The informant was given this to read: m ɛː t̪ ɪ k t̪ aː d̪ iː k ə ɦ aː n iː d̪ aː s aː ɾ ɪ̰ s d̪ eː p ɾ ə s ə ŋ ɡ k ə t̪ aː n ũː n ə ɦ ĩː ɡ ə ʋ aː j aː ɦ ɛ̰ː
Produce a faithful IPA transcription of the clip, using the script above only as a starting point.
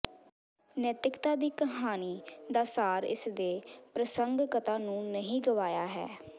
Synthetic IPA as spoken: n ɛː t̪ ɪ k t̪ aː d̪ iː k ə ɦ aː n iː d̪ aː s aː ɾ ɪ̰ s d̪ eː p ɾ ə s ə ŋ ɡ k ə t̪ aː n ũː n ə ɦ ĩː ɡ ə ʋ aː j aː ɦ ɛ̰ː